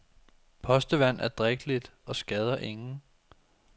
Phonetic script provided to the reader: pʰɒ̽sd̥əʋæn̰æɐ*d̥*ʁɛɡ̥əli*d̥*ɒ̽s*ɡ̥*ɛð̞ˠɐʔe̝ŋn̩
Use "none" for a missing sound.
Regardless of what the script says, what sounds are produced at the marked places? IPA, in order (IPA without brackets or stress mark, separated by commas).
d̥, d̥, ɡ̥